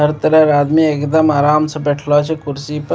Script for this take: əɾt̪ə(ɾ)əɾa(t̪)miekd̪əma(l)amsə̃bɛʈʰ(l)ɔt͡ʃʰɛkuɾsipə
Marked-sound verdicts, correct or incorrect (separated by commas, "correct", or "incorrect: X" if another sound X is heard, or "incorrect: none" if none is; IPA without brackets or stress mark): correct, incorrect: d̪, incorrect: ɾ, correct